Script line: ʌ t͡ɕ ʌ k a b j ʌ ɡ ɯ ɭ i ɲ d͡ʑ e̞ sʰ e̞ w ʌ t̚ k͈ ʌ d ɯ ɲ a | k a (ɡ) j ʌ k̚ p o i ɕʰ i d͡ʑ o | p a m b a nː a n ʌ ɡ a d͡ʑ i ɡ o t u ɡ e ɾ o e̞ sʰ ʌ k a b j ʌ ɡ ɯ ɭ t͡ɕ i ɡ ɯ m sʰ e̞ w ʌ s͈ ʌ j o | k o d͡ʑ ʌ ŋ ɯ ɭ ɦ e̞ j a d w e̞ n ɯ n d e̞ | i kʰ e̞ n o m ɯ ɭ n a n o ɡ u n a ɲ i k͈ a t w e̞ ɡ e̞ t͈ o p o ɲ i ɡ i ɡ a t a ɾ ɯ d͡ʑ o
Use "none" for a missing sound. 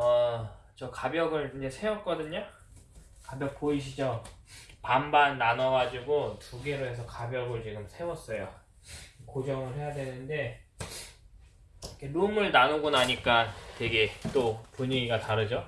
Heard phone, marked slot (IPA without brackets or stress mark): b